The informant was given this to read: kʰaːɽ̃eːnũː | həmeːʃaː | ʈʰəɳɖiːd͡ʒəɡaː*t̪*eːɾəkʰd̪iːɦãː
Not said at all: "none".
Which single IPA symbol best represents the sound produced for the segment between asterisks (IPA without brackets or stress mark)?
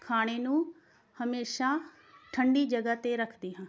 t̪